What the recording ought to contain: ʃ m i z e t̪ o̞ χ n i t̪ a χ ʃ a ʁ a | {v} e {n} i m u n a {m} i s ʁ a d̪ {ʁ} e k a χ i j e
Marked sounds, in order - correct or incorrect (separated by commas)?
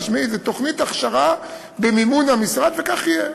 incorrect, incorrect, correct, incorrect